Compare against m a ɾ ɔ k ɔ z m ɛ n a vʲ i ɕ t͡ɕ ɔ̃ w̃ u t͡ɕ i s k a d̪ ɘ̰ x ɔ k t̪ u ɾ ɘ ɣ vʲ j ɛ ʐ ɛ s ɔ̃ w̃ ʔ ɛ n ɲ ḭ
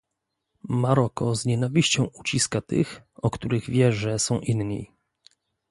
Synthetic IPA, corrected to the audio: m a ɾ ɔ k ɔ z ɲ ɛ n a vʲ i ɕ t͡ɕ ɔ̃ w̃ u t͡ɕ i s k a t̪ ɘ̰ x ɔ k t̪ u ɾ ɘ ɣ vʲ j ɛ ʐ ɛ s ɔ̃ w̃ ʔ i n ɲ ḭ